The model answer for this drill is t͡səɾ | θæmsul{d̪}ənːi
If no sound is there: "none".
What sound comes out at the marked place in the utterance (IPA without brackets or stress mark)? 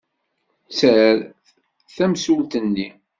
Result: t̪